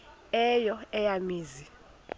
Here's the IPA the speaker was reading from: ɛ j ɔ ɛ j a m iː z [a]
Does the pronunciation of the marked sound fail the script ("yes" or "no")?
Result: yes